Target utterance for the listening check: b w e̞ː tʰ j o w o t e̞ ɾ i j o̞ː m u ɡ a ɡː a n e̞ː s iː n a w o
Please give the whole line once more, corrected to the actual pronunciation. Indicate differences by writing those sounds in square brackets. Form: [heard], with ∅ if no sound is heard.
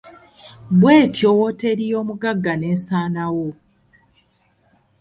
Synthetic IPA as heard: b w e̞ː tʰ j o w o t e̞ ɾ i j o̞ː m u ɡ a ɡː a n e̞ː s [aː] n a w o